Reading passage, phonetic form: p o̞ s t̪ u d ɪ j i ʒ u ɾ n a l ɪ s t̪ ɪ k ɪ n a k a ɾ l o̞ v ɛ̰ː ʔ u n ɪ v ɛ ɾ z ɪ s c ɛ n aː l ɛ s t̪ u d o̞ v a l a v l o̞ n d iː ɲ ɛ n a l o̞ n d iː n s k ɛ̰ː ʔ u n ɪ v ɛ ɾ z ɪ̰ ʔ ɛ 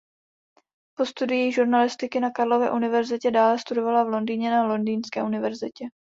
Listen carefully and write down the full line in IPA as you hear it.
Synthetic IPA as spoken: p o̞ s t̪ u d ɪ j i ʒ u ɾ n a l ɪ s t̪ ɪ k ɪ n a k a ɾ l o̞ v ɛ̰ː ʔ u n ɪ v ɛ ɾ z ɪ c ɛ d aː l ɛ s t̪ u d o̞ v a l a v l o̞ n d iː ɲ ɛ n a l o̞ n d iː n s k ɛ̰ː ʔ u n ɪ v ɛ ɾ z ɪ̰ c ɛ